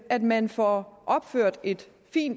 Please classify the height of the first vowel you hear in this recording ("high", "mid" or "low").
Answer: low